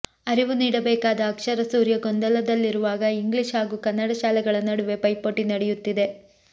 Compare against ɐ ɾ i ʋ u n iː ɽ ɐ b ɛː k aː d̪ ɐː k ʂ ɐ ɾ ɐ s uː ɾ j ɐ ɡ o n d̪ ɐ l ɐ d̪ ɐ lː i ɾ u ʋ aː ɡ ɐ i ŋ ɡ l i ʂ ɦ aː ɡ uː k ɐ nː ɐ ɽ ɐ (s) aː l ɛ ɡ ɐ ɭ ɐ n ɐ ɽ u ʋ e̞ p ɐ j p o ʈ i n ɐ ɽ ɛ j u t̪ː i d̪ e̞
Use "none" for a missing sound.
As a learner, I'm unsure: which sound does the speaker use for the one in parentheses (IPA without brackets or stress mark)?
ʃ